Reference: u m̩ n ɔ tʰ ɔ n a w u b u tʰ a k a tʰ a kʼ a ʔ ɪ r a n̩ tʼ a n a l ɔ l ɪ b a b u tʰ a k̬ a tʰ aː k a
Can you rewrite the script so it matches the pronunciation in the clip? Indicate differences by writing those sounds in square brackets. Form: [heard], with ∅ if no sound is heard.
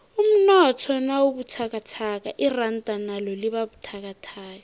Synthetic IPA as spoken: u m̩ n ɔ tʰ ɔ n a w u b u tʰ a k a tʰ a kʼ a ʔ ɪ r a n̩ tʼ a n a l ɔ l ɪ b a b u tʰ a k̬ a tʰ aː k a